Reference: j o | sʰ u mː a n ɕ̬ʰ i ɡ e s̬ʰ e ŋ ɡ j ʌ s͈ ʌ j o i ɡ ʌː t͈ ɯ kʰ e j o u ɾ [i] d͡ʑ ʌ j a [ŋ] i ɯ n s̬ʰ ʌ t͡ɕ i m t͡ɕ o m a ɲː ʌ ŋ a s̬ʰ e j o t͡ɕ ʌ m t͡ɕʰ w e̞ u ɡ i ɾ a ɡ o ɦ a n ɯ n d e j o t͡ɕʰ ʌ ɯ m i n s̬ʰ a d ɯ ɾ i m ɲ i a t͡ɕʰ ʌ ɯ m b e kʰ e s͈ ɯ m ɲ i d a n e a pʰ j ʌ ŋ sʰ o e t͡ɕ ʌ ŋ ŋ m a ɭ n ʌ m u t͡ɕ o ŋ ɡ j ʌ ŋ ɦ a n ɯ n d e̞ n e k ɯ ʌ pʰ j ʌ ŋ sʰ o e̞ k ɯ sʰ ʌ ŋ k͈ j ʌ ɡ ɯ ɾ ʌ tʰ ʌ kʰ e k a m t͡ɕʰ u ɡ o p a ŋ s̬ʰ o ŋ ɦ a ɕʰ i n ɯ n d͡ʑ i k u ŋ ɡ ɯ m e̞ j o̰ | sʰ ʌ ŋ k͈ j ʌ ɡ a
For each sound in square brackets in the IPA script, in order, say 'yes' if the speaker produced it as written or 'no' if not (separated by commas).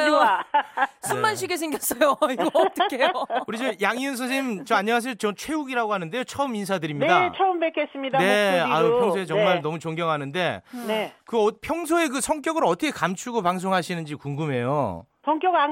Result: yes, yes